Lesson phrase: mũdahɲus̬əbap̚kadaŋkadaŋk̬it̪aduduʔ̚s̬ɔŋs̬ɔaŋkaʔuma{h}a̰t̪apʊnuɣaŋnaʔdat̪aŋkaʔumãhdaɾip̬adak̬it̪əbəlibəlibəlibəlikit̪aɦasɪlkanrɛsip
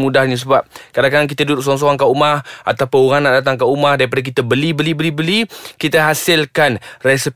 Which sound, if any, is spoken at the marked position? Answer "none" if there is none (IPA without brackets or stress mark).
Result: h